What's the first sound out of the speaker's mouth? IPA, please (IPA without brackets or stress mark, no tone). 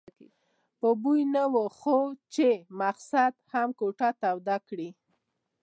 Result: p